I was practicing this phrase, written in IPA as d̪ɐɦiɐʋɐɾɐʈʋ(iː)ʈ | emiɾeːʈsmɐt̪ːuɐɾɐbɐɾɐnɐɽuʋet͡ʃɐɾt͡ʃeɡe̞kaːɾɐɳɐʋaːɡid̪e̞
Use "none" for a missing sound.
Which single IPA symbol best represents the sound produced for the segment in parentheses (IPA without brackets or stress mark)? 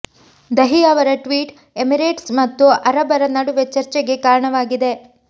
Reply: iː